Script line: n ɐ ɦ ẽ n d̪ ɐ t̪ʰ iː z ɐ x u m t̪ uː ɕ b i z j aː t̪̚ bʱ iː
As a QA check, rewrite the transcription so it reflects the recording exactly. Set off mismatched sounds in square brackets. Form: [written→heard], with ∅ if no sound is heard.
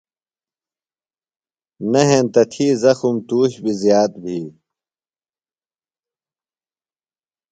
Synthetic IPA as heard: n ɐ ɦ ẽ n [d̪→t̪] ɐ t̪ʰ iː z ɐ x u m t̪ uː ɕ b i z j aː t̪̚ bʱ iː